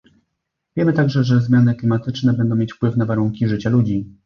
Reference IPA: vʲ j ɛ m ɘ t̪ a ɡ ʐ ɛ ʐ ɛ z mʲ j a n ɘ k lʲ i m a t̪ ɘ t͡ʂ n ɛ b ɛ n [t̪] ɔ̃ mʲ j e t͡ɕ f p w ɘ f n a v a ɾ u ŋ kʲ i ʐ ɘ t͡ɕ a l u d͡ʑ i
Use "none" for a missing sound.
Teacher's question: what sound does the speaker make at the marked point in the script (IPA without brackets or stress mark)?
d̪